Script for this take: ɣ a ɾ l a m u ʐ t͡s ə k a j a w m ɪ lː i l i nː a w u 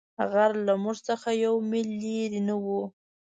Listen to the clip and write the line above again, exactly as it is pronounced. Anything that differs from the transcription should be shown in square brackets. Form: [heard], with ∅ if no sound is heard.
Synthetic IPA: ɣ a ɾ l a m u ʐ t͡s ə [x] a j a w m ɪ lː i [ɾ] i [n] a w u